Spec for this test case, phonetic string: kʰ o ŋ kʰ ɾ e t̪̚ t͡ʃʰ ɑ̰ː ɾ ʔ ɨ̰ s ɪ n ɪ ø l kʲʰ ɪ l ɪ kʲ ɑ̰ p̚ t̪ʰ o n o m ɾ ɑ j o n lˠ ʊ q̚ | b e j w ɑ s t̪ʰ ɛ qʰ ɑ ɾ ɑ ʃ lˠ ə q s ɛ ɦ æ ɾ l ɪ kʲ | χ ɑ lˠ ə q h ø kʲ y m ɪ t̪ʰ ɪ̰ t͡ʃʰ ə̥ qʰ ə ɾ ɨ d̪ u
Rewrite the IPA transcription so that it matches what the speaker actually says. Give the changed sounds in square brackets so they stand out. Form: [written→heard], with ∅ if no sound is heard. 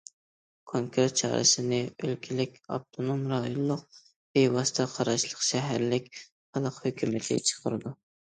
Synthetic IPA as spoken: kʰ o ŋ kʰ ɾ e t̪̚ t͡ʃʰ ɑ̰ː ɾ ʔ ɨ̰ s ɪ n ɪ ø l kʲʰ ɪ l ɪ kʲ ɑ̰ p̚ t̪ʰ o n o m ɾ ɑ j o n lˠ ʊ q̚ | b e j w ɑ s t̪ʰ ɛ qʰ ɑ ɾ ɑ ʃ lˠ ə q [s→ʃ] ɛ ɦ æ ɾ l ɪ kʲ | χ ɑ lˠ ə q h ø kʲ y m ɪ t̪ʰ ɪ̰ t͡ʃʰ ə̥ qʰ ə ɾ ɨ d̪ u